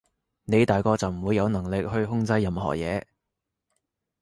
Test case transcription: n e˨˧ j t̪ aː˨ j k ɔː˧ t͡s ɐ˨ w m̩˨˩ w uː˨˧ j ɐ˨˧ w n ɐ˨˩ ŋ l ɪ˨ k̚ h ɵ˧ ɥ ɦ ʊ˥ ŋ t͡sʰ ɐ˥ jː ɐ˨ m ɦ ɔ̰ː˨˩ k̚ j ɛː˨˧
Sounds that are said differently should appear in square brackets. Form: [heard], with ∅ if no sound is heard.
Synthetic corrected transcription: n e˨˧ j t̪ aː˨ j k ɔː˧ t͡s ɐ˨ w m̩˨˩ w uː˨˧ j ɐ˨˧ w n ɐ˨˩ ŋ l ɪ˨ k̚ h ɵ˧ ɥ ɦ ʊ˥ ŋ [t͡s] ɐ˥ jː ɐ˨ m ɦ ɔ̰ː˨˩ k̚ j ɛː˨˧